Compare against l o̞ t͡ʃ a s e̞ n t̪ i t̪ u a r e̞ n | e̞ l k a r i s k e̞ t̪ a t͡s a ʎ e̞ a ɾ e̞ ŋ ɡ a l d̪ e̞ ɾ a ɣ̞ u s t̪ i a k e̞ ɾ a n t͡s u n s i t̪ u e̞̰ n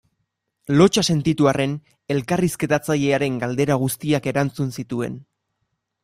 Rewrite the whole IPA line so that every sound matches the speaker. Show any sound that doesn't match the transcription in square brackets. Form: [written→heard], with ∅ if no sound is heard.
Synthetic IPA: l o̞ t͡ʃ a s e̞ n t̪ i t̪ u a r e̞ n | e̞ l k a r i s k e̞ t̪ a t͡s a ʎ e̞ a ɾ e̞ ŋ ɡ a l d̪ e̞ ɾ a ɣ̞ u s t̪ i a k e̞ ɾ a n t͡s u n s i t̪ u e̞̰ n

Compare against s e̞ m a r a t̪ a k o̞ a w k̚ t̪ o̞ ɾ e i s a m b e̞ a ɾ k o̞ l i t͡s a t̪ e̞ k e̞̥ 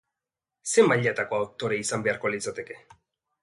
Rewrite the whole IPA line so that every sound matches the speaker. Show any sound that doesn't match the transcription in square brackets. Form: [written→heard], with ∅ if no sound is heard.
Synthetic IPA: s e̞ m a [r→ʎ] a t̪ a k o̞ a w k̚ t̪ o̞ ɾ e i s a m b e̞ a ɾ k o̞ l i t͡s a t̪ e̞ k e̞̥

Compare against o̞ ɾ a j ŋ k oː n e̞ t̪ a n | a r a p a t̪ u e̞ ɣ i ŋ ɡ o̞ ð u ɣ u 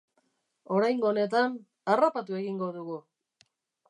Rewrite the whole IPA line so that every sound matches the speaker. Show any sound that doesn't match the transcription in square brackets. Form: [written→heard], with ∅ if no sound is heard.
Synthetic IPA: o̞ ɾ a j ŋ [k→ɡ] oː n e̞ t̪ a n | a r a p a t̪ u e̞ ɣ i ŋ ɡ o̞ ð u ɣ u

